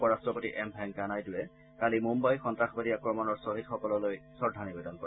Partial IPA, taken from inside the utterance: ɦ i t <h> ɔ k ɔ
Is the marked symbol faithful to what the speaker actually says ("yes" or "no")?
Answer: no